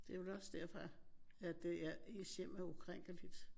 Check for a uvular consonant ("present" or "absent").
present